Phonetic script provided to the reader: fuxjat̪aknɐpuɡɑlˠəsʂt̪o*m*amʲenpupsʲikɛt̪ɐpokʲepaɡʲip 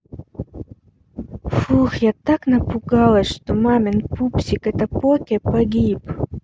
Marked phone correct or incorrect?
correct